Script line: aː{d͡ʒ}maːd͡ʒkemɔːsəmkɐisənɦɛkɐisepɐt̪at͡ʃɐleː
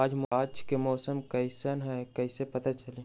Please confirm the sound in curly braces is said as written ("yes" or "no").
yes